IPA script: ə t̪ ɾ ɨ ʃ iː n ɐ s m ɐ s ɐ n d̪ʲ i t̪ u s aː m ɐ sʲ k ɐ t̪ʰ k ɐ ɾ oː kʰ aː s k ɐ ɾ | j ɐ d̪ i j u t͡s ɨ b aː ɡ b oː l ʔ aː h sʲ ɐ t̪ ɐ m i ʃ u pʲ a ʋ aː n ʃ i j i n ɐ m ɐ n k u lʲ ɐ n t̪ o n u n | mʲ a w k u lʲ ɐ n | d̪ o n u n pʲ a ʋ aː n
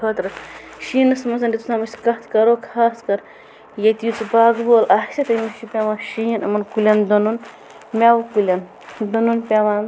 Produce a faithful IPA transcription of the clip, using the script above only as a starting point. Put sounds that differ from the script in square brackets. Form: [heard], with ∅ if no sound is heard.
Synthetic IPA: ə t̪ ɾ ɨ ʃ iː n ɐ s m ɐ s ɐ n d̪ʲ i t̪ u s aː m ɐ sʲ k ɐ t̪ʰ k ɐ ɾ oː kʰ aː s k ɐ ɾ | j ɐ [t̪] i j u t͡s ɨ b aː ɡ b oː l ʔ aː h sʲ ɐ t̪ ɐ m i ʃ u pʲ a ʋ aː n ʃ i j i n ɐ m ɐ n k u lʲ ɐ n [d̪] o n u n | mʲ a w k u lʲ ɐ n | d̪ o n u n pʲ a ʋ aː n